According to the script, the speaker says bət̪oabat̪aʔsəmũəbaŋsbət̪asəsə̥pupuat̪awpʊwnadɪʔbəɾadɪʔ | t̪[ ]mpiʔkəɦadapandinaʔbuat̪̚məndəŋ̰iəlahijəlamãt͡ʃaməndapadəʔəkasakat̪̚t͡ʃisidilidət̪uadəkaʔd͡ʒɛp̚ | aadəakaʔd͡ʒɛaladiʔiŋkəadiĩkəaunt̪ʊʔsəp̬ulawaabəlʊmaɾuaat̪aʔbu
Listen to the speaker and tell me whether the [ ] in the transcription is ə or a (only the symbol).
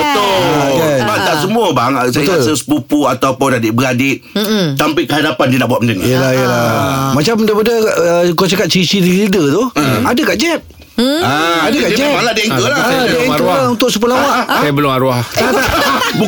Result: a